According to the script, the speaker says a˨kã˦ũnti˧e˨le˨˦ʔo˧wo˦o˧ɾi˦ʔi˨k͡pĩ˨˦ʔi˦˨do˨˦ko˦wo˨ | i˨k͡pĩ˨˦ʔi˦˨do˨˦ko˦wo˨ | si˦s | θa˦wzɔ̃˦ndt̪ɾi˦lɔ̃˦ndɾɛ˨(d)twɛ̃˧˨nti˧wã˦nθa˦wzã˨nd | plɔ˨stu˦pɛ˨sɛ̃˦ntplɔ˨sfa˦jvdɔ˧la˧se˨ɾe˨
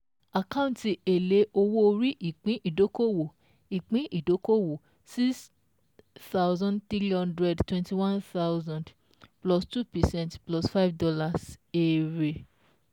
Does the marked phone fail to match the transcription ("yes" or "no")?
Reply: no